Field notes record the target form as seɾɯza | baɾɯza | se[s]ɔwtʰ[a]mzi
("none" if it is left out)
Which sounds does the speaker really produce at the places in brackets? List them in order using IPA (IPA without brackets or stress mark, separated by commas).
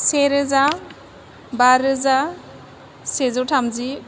z, a